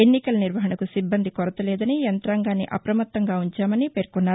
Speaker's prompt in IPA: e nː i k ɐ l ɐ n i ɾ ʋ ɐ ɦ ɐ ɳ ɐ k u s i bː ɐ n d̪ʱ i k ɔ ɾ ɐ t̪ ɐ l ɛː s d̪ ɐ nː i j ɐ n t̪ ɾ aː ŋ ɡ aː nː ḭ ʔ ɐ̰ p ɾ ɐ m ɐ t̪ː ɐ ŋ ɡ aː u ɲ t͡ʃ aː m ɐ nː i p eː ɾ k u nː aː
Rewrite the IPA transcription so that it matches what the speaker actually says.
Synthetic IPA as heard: e nː i k ɐ l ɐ n i ɾ ʋ ɐ ɦ ɐ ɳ ɐ k u s i bː ɐ n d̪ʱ i k ɔ ɾ ɐ t̪ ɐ l ɛː d̪ ɐ n i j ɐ n t̪ ɾ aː ŋ ɡ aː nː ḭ ʔ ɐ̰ p ɾ ɐ m ɐ t̪ː ɐ ŋ ɡ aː u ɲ t͡ʃ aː m ɐ n i p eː ɾ k u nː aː